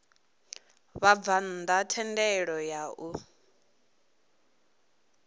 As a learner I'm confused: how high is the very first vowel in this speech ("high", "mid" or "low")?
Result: low